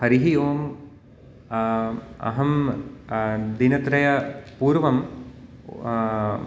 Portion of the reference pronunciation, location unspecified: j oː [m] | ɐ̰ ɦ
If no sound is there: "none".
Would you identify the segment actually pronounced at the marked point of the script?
m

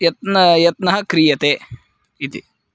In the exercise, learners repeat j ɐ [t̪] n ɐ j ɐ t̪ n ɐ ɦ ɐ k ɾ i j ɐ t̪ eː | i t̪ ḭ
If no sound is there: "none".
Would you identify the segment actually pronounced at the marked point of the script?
t̪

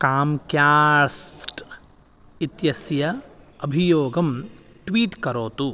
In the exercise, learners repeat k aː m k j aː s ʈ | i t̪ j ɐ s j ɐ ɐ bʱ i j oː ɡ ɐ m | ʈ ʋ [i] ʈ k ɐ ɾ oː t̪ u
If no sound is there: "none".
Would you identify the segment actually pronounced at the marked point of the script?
iː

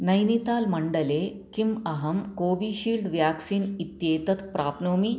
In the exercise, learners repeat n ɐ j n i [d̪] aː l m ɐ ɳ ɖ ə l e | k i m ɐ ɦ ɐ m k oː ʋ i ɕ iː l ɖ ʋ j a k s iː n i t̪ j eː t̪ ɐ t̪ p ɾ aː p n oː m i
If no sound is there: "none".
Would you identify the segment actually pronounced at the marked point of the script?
t̪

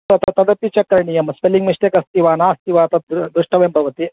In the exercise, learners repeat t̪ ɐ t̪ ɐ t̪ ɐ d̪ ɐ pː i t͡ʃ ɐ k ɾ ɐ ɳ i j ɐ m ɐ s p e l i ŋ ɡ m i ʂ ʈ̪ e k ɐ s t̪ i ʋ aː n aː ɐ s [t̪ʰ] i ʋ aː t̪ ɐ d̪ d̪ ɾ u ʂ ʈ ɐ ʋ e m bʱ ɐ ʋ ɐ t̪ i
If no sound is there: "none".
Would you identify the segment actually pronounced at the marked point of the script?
t̪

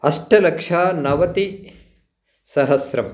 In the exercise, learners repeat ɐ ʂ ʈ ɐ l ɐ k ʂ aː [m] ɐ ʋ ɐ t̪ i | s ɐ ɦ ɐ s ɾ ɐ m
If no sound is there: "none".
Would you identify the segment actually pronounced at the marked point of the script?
n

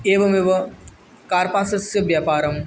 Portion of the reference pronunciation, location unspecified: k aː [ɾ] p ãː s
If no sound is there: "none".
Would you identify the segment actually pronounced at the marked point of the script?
ɾ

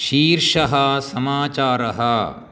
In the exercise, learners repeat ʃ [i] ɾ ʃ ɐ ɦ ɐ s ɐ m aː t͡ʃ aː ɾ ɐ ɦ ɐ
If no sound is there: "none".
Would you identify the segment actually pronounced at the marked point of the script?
iː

